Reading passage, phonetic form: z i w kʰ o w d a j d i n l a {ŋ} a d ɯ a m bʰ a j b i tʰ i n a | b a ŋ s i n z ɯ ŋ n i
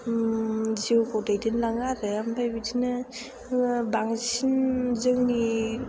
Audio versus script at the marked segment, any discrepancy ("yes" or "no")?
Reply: no